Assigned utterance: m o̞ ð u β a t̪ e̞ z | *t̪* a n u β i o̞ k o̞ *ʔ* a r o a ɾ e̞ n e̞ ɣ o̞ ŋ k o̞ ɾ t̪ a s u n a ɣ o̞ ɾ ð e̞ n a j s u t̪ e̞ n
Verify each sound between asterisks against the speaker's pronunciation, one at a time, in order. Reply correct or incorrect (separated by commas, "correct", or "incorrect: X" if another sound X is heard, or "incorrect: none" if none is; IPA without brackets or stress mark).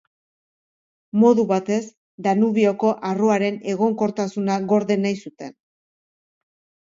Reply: incorrect: d̪, correct